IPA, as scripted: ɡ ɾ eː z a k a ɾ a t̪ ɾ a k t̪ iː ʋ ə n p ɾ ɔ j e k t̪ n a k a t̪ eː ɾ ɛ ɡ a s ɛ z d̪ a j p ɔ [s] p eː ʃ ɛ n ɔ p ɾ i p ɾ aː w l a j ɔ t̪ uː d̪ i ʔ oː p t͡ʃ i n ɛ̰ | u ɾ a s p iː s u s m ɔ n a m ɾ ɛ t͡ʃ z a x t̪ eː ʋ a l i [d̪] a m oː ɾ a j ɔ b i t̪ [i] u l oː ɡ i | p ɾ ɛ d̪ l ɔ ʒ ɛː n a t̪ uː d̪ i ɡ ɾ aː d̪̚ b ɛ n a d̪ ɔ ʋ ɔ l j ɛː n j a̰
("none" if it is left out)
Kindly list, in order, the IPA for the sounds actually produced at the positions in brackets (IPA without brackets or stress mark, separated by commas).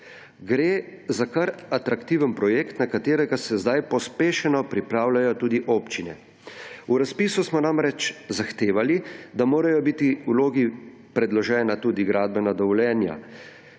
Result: s, d̪, i